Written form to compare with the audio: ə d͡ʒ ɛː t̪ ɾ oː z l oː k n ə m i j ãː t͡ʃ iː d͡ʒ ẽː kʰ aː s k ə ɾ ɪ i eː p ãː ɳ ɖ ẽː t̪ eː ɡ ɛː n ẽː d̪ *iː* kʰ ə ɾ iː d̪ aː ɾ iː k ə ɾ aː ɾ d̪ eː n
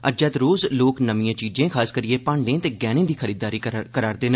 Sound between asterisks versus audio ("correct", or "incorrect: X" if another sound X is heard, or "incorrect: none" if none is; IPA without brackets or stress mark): correct